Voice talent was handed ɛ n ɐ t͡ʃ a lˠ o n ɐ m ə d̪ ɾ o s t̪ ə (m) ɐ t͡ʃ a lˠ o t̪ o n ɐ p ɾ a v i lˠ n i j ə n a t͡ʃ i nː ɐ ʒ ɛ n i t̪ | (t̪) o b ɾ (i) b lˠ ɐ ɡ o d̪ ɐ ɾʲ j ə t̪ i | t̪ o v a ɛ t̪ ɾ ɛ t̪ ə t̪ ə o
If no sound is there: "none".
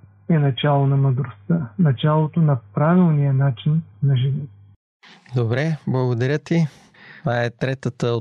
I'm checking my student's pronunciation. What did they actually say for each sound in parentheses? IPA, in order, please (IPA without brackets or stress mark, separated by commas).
n, d̪, ɛ